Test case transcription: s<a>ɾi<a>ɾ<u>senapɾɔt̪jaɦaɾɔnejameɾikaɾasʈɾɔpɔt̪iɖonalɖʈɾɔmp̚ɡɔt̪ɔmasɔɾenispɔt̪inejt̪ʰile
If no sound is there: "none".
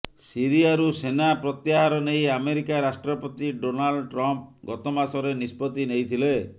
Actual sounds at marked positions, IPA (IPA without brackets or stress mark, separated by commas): i, a, u